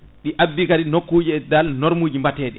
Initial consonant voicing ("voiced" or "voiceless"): voiced